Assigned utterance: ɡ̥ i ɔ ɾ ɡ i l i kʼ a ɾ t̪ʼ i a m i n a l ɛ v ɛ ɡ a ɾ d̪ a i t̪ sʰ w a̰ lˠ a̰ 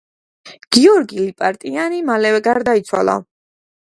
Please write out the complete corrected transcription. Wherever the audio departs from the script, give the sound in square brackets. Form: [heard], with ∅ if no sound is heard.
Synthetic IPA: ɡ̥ i ɔ ɾ ɡ i l i [pʼ] a ɾ t̪ʼ i a [n] i [m] a l ɛ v ɛ ɡ a ɾ d̪ a i t̪ sʰ w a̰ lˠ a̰